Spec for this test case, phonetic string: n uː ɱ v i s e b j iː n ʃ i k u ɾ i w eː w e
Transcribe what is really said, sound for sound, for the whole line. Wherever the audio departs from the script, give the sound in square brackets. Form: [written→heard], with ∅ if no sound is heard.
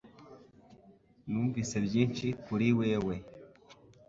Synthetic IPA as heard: n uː ɱ v i s e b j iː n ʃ i k u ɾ i w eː w e

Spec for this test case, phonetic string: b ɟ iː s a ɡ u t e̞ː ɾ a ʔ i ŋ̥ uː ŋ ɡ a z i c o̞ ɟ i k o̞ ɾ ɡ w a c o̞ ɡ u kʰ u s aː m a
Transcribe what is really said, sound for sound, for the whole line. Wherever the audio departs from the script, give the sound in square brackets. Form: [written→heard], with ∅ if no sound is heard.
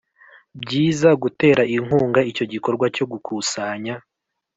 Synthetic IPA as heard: b ɟ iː [s→z] a ɡ u t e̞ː ɾ a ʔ i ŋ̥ uː ŋ ɡ a [z→∅] i c o̞ ɟ i k o̞ ɾ ɡ w a c o̞ ɡ u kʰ u s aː [m→ɲ] a

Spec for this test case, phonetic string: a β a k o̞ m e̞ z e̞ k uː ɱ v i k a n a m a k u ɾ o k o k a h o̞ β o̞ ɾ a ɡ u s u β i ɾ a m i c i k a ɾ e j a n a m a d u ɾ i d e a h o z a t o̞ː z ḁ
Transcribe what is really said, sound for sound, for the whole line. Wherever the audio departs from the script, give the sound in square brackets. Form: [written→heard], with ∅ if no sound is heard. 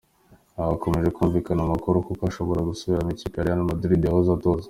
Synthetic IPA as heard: a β a k o̞ m e̞ [z→ʒ] e̞ k uː ɱ v i k a n a m a k u ɾ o k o k a [h→ʃ] o̞ β o̞ ɾ a ɡ u s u β i ɾ a m i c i k a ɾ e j a n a m a d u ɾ i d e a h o z a t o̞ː z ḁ

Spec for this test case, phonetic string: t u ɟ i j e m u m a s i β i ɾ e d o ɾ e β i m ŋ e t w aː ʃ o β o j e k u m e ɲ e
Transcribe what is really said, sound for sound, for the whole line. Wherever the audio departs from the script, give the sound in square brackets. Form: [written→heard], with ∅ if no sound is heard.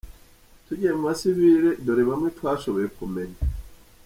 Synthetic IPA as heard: t u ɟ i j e m u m a s i β i ɾ e d o ɾ e β [i→a] m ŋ e t w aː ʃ o β o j e k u m e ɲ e

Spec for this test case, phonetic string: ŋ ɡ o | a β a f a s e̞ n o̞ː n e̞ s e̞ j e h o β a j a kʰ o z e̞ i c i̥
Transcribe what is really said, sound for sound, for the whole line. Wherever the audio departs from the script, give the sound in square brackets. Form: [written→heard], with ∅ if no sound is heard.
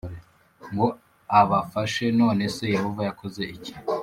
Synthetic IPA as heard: ŋ ɡ o | a β a f a [s→ʃ] e̞ n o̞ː n e̞ s e̞ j e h o [β→v] a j a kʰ o z e̞ i c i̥

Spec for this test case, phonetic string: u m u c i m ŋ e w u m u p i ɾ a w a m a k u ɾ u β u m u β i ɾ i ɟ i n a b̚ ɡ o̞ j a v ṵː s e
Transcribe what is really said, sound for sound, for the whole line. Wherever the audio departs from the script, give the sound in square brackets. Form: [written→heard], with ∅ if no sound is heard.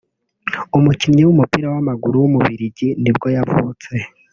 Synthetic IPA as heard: u m u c i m [ŋ→ɲ] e w u m u p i ɾ a w a m a [k→ɡ] u ɾ u [β→w] u m u β i ɾ i ɟ i n [a→i] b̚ ɡ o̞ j a v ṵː [s→t͡s] e

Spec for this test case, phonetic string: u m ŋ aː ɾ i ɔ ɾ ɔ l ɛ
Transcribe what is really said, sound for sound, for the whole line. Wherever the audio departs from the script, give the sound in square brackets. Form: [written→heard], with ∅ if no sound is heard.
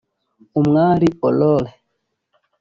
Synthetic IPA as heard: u m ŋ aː ɾ i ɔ [ɾ→l] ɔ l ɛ

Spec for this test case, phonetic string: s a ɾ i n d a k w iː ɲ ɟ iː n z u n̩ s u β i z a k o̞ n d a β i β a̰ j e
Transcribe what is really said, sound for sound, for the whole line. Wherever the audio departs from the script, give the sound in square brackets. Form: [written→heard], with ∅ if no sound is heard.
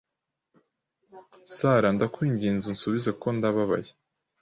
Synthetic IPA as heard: s a ɾ [i→a] n d a k w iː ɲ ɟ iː n z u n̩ s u β i z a k o̞ n d a β [i→a] β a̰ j e

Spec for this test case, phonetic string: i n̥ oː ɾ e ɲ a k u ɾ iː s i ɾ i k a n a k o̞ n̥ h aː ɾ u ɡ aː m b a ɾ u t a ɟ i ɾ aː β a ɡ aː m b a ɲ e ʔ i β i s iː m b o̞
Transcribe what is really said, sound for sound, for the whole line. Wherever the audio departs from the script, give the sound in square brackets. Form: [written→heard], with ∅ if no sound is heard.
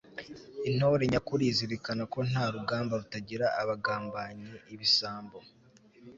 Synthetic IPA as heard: i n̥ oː ɾ e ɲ a k u ɾ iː [s→z] i ɾ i k a n a k o̞ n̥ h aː ɾ u ɡ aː m b a ɾ u t a ɟ i ɾ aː β a ɡ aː m b a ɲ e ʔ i β i s [iː→aː] m b o̞

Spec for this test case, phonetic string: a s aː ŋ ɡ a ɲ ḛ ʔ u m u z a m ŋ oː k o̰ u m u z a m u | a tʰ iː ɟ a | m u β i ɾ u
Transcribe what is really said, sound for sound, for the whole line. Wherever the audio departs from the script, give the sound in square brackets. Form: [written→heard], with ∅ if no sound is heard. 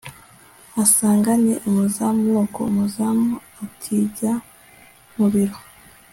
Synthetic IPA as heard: a s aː ŋ ɡ a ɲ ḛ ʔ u m u z a m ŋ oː k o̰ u m u z a m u | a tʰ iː ɟ a | m u β i ɾ [u→o]

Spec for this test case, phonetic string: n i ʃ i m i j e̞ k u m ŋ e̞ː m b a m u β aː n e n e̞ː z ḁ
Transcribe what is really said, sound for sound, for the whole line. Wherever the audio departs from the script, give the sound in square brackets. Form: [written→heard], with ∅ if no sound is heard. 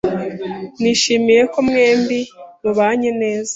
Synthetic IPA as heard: n i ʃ i m i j e̞ k [u→o] m ŋ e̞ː m b [a→i] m u β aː [n→ɲ] e n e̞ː z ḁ

